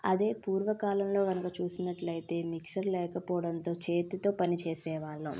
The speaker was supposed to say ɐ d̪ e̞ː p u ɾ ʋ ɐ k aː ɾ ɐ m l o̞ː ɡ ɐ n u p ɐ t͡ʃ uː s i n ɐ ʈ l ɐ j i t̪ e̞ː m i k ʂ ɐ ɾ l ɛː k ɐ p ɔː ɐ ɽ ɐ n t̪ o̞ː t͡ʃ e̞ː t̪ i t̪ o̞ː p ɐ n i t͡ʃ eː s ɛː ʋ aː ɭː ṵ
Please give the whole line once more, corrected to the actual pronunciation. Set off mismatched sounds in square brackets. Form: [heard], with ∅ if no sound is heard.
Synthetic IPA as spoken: ɐ d̪ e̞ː p [uː] ɾ ʋ ɐ k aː [l] ɐ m l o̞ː ɡ ɐ n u [k] ɐ t͡ʃ uː s i n ɐ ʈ l ɐ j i t̪ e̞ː m i k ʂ ɐ ɾ l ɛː k ɐ p ɔː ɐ ɽ ɐ n t̪ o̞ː t͡ʃ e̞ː t̪ i t̪ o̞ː p ɐ n i t͡ʃ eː s ɛː ʋ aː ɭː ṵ